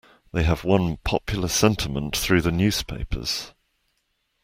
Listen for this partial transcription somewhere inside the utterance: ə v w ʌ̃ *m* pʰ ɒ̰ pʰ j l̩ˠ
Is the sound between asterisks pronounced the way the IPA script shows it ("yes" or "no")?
no